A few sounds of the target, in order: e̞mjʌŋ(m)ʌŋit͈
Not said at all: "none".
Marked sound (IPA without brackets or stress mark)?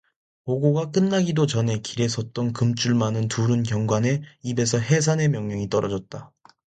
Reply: ɲ